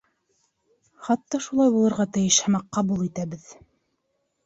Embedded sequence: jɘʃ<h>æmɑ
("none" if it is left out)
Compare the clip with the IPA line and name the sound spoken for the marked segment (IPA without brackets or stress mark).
h